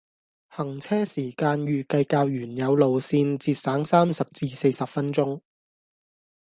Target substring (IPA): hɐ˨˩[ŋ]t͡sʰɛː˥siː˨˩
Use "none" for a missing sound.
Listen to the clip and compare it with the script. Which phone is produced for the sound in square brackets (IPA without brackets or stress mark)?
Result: ŋ